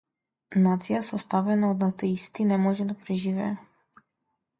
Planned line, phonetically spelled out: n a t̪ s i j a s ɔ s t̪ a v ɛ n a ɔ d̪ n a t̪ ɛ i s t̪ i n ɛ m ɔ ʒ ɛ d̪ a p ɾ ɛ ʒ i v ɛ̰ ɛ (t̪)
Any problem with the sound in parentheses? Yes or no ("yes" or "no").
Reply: yes